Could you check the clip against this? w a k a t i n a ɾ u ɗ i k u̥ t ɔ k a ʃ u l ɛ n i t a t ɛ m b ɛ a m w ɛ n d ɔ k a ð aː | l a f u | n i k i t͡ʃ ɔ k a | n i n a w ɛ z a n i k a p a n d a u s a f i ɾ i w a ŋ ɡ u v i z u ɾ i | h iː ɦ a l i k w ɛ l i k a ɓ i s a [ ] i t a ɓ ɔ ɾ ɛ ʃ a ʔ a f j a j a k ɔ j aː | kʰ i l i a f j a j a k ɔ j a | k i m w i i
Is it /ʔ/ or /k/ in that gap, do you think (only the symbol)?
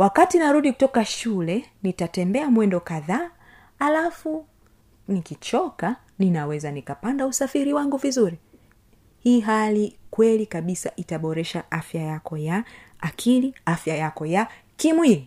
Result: ʔ